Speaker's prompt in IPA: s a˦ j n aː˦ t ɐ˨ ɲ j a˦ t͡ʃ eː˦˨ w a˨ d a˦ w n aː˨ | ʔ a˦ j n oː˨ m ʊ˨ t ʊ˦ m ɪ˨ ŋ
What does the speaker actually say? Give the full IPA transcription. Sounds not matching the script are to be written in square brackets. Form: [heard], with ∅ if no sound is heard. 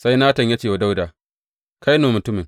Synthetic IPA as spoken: s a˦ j n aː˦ t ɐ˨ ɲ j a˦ t͡ʃ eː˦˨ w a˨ d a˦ w [d] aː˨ | [k] a˦ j n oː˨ m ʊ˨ t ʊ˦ m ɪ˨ ŋ